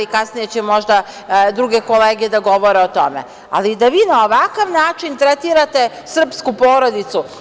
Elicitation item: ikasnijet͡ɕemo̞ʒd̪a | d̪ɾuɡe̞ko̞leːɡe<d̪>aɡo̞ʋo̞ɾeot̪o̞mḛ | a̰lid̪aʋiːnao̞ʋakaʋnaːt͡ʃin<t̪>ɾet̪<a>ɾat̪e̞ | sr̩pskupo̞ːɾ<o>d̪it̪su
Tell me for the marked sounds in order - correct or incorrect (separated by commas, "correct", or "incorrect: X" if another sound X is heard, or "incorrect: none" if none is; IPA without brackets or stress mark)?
correct, correct, incorrect: i, correct